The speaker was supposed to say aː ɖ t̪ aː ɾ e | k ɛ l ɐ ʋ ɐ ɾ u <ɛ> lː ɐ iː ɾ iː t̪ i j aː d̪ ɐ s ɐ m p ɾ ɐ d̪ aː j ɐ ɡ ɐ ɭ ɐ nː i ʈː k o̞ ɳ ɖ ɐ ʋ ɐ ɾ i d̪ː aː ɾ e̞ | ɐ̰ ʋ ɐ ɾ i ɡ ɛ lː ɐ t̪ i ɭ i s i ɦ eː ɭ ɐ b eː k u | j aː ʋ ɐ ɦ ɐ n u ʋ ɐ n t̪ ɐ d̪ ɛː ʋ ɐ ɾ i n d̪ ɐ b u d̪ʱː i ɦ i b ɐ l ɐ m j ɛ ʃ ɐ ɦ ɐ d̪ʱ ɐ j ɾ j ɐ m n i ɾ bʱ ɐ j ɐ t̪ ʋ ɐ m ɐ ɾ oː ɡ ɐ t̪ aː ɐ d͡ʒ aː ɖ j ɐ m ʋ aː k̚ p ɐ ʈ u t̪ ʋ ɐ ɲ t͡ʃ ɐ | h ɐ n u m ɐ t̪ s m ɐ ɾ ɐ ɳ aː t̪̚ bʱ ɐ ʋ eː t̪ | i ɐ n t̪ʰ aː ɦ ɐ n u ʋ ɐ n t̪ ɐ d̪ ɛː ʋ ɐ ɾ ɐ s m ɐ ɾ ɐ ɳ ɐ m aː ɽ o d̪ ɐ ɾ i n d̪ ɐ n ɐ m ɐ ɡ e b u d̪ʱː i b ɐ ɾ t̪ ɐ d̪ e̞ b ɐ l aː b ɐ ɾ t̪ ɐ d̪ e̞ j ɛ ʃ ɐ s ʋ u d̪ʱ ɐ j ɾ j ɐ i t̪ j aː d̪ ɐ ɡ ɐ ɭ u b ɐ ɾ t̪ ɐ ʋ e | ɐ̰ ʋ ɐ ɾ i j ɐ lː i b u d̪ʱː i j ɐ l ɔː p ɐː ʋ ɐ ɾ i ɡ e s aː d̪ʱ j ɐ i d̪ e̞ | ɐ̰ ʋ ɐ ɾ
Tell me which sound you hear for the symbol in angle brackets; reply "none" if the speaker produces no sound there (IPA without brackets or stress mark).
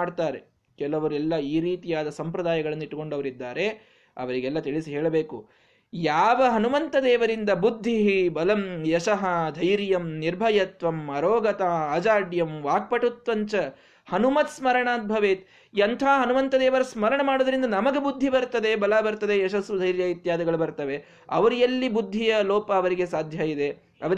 ɛ